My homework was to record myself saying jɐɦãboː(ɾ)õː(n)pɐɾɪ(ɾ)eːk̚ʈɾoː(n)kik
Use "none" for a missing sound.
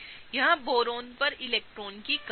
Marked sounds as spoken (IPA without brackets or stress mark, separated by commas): ɾ, n, l, n